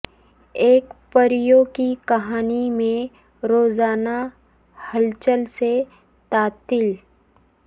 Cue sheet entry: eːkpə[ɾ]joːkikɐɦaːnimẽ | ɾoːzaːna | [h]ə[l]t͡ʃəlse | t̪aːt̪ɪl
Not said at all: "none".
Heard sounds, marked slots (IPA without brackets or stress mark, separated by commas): ɾ, h, l